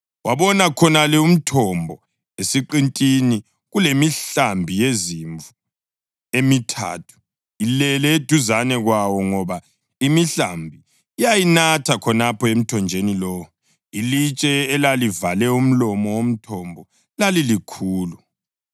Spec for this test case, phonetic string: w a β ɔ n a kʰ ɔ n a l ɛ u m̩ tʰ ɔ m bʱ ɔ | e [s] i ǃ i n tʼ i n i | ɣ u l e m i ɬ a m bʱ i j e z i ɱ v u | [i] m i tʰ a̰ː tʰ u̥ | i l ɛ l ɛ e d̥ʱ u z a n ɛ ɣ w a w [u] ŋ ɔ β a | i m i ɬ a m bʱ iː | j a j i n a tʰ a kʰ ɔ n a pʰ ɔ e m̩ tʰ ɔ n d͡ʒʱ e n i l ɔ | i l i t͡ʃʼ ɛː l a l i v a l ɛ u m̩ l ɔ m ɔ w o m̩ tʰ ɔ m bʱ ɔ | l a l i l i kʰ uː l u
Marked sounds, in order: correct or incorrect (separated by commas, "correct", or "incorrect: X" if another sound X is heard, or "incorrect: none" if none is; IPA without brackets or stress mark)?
correct, incorrect: e, incorrect: ɔ